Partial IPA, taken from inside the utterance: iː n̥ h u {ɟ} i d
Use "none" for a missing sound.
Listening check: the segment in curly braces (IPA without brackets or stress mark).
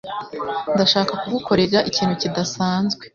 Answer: c